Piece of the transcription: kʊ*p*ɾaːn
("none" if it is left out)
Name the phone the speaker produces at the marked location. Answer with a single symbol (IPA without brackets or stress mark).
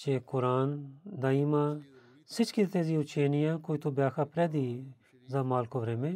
none